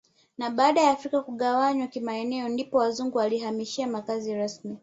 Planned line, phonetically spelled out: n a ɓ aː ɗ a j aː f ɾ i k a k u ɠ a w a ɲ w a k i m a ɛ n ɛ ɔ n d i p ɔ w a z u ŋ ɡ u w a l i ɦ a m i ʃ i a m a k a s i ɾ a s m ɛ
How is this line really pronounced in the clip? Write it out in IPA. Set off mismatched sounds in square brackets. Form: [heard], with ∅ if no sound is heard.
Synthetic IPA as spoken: n a ɓ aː ɗ a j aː f ɾ i k a k u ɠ a w a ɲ w a k i m a ɛ n ɛ ɔ n d i p ɔ w a z u ŋ ɡ u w a l i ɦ a m i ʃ i a m a k a [z] i ɾ a s m [i]